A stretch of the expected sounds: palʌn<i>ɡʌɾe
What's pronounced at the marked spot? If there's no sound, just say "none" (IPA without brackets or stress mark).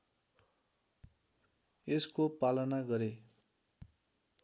a